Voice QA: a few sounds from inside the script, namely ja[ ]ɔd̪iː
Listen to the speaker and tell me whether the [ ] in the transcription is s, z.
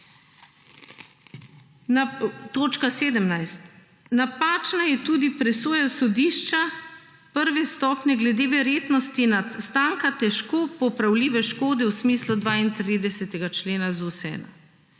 s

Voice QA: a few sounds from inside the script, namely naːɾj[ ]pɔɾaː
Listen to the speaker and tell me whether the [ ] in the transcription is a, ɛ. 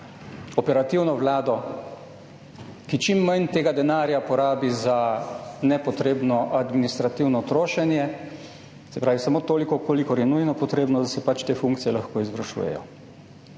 a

